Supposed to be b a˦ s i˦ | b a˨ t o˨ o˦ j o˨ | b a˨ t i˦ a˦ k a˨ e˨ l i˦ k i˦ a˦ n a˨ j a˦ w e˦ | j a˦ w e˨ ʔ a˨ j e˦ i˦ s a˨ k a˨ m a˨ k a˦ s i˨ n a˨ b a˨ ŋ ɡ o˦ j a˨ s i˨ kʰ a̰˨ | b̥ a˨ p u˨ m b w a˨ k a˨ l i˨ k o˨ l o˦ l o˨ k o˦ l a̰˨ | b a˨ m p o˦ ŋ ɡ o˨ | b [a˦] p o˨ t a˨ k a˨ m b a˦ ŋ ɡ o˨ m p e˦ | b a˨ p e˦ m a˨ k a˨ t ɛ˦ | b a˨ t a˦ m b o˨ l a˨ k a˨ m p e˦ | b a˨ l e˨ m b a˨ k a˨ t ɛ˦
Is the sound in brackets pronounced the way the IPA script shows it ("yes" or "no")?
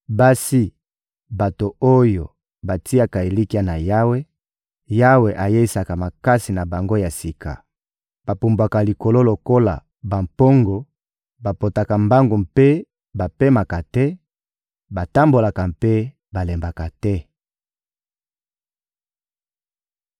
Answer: no